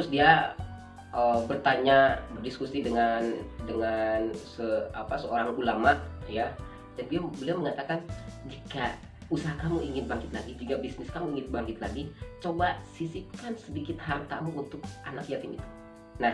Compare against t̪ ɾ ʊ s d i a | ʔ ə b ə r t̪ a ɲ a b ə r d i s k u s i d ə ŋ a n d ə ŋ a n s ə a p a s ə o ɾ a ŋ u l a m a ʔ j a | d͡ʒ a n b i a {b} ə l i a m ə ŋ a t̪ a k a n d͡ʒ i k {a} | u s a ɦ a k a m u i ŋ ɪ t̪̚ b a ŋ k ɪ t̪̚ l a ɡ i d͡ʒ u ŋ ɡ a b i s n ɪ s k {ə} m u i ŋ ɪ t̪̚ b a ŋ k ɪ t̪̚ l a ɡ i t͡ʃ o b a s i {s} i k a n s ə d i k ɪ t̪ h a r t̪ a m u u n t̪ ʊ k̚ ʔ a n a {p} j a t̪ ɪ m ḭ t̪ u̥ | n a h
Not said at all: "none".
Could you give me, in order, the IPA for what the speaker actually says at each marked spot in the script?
b, a, a, s, k

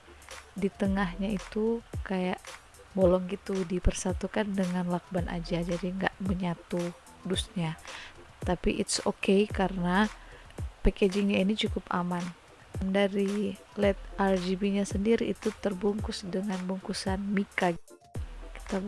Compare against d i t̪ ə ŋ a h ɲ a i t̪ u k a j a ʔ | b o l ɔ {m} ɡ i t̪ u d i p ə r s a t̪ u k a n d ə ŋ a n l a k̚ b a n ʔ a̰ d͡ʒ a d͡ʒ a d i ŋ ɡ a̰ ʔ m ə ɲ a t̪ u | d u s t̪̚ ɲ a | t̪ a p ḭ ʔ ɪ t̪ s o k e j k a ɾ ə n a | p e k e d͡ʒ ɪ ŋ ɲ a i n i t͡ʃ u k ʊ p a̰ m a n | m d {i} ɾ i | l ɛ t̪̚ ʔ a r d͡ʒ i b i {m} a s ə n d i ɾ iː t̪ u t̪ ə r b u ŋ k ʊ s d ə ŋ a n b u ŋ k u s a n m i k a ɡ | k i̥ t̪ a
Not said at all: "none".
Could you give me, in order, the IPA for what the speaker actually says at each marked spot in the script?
ŋ, a, ɲ

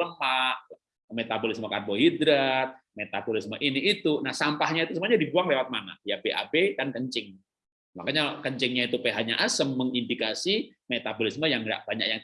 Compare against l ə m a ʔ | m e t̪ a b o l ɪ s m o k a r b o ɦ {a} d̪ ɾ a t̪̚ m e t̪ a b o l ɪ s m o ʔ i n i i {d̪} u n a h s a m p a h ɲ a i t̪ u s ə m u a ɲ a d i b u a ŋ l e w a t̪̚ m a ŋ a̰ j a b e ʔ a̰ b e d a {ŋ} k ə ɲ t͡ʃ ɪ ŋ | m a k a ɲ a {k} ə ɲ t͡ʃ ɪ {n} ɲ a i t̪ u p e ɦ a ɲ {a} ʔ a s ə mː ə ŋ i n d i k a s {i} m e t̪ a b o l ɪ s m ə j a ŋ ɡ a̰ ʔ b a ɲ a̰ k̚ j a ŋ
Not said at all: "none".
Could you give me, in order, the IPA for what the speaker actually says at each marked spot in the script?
i, t̪, n, k, ŋ, a, i

